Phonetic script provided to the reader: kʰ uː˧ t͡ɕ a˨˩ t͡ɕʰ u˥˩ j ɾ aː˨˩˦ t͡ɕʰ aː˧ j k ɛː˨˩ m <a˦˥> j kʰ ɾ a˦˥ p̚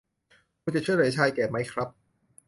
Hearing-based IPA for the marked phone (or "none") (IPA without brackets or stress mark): a˦˥